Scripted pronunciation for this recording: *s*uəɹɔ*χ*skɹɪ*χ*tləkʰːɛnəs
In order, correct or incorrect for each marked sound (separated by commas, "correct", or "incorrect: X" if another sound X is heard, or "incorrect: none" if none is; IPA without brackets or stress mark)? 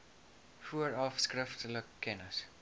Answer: incorrect: f, incorrect: f, incorrect: f